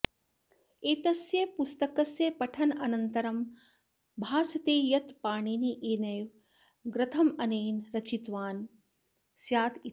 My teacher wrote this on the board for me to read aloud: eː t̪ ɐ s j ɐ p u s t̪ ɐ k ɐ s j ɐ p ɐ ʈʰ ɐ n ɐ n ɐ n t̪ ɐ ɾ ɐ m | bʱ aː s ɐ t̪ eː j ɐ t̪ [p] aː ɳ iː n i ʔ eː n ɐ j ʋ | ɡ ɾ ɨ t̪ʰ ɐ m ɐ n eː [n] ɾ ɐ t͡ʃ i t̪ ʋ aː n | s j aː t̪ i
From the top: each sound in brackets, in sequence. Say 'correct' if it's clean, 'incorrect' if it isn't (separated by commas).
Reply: correct, correct